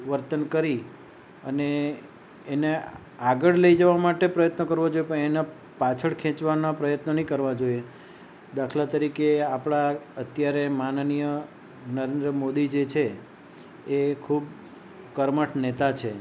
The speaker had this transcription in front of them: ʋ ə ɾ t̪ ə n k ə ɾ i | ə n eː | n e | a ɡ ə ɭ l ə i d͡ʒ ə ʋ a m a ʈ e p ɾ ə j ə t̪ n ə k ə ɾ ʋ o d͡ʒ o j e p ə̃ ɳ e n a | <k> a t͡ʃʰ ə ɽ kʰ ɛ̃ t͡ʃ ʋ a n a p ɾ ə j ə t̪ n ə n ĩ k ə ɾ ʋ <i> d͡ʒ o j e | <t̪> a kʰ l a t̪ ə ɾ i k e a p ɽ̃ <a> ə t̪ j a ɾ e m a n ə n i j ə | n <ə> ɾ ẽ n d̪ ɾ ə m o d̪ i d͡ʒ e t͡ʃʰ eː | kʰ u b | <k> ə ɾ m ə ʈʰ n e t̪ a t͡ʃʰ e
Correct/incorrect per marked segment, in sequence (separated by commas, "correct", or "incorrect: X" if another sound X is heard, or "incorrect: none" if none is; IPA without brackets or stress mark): incorrect: p, incorrect: a, incorrect: d̪, correct, correct, correct